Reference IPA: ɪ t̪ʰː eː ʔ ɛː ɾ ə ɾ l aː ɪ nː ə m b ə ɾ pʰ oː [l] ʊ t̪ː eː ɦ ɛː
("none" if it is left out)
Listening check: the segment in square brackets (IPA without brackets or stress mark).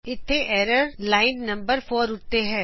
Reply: ɾ